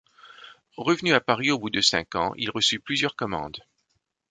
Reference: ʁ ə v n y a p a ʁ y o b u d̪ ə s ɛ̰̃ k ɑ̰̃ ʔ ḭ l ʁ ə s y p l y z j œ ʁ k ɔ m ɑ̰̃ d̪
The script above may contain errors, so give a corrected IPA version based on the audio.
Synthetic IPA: ʁ ə v n y a p a ʁ i o b u d̪ ə s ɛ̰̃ k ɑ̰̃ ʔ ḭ l ʁ ə s y p l y z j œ ʁ k ɔ m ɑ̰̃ d̪